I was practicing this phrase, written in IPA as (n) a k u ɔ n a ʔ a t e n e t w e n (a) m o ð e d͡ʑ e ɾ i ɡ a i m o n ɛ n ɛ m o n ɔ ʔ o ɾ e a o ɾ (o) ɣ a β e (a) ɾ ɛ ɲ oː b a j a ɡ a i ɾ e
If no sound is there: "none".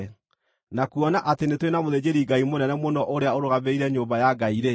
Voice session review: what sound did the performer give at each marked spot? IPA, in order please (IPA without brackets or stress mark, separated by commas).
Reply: n, a, o, i